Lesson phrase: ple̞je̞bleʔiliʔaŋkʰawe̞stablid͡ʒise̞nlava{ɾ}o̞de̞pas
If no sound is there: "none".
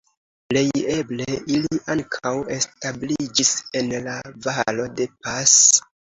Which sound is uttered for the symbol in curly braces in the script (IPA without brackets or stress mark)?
l